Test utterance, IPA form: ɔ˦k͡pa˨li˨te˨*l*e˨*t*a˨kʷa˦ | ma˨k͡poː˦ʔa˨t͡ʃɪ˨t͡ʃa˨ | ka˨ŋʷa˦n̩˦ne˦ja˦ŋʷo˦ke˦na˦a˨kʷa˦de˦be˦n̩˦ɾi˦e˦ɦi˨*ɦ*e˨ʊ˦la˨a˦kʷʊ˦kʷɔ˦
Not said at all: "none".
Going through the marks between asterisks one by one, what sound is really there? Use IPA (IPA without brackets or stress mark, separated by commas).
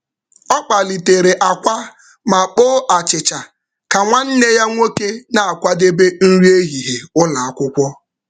ɾ, ʔ, ɦ